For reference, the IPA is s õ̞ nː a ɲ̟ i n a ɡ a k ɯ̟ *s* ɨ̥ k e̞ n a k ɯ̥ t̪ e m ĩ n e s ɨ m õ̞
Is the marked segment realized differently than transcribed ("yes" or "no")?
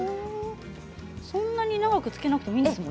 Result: yes